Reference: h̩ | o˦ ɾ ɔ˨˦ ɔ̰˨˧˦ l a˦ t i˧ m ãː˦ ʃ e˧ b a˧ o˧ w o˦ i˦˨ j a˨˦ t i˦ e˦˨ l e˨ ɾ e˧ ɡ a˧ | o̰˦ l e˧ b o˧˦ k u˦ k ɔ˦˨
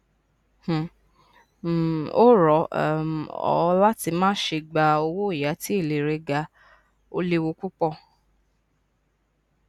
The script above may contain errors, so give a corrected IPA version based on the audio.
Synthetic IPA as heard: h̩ | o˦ ɾ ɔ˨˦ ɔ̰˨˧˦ l a˦ t i˧ m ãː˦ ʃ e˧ ɡ͡b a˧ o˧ w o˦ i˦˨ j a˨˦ t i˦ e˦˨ l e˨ ɾ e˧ ɡ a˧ | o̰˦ l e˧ w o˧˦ k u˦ k͡p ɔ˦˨

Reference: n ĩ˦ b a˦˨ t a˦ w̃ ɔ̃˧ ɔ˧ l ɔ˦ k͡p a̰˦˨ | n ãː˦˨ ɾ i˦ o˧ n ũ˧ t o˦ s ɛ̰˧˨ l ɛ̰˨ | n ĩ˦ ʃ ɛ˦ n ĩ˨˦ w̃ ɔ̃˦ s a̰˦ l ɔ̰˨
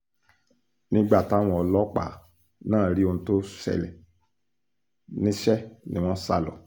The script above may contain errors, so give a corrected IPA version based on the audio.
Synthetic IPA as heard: n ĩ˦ ɡ͡b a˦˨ t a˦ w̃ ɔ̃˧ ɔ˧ l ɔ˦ k͡p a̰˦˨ | n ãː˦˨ ɾ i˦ o˧ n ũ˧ t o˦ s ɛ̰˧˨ l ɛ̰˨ | n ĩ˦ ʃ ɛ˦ n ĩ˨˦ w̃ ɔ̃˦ s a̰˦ l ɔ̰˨

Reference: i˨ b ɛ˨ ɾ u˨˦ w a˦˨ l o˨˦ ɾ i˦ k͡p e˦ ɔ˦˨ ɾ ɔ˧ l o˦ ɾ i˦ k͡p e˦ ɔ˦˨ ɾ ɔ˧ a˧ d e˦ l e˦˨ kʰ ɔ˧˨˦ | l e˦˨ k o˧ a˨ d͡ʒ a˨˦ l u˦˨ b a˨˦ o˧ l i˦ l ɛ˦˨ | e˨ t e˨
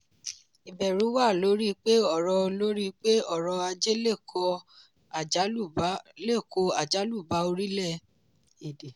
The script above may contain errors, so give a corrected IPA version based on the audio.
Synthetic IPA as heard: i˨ b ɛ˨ ɾ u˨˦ w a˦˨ l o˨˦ ɾ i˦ k͡p e˦ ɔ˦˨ ɾ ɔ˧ l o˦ ɾ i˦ k͡p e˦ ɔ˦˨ ɾ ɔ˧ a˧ d͡ʒ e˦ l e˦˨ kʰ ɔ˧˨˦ | l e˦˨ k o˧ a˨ d͡ʒ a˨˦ l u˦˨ b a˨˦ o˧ ɾ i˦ l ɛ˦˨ | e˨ d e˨

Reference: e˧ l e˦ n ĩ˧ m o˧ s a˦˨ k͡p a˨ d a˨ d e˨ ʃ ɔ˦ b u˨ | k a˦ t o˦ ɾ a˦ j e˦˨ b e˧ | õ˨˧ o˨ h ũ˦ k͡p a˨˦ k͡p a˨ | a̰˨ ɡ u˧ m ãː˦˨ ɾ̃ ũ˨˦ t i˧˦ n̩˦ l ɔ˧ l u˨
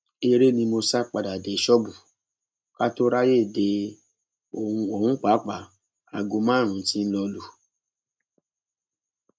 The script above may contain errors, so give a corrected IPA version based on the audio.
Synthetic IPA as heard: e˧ ɾ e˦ n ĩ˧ m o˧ s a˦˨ k͡p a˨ d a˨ d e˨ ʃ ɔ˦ b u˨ | k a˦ t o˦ ɾ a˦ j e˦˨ d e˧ | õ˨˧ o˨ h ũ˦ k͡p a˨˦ k͡p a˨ | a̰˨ ɡ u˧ m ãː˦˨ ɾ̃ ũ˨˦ t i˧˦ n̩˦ l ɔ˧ l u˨

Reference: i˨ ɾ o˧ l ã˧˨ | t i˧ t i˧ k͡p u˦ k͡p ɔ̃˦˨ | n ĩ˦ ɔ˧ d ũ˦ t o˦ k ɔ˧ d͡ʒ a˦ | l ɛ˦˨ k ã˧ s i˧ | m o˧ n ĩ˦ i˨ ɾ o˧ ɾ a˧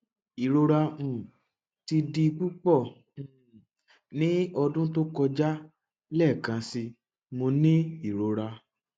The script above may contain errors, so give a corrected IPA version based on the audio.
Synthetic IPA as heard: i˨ ɾ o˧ ɾ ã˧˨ | t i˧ d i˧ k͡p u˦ k͡p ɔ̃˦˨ | n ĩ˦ ɔ˧ d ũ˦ t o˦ k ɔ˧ d͡ʒ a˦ | l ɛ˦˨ k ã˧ s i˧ | m o˧ n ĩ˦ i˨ ɾ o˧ ɾ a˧

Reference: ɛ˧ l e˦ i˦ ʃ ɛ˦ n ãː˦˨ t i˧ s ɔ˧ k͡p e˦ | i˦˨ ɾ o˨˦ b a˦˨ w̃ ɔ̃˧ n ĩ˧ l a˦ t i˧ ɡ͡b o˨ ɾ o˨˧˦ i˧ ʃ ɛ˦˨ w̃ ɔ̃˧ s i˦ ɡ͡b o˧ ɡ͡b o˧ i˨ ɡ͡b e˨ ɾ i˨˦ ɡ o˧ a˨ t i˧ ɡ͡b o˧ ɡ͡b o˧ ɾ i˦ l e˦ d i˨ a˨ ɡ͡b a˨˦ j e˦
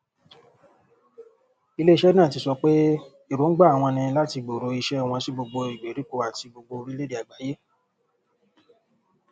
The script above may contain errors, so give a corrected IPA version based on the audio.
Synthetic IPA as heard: i˧ l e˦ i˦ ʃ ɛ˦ n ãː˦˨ t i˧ s ɔ˧ k͡p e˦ | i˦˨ ɾ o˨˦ ɡ͡b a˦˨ w̃ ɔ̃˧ n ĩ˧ l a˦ t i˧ ɡ͡b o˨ ɾ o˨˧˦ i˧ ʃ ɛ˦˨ w̃ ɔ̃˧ s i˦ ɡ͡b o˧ ɡ͡b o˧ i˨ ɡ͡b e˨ ɾ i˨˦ k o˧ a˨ t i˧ ɡ͡b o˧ ɡ͡b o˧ ɾ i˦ l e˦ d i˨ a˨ ɡ͡b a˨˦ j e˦

